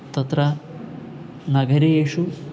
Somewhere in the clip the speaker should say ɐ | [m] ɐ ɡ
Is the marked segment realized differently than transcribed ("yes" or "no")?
yes